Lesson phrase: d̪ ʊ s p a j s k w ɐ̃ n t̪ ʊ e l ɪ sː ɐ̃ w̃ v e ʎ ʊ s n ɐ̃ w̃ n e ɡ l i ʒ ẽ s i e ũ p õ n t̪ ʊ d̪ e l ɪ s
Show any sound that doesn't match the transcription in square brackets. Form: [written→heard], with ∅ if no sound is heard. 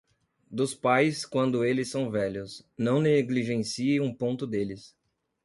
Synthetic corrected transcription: d̪ ʊ s p a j s k w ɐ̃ n [t̪→d̪] ʊ e l ɪ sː ɐ̃ w̃ v [e→ɛ] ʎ ʊ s n ɐ̃ w̃ n e ɡ l i ʒ ẽ s i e ũ p õ n t̪ ʊ d̪ e l ɪ s